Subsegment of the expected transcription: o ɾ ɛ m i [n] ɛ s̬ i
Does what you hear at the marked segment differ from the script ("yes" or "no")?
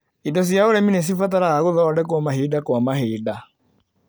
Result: no